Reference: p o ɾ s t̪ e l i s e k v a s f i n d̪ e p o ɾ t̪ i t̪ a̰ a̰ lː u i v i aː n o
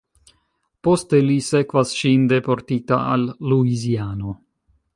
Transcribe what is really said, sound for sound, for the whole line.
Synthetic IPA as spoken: p o s t̪ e l i s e k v a s ʃ i n d̪ e p o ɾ t̪ i t̪ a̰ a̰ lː u i z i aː n o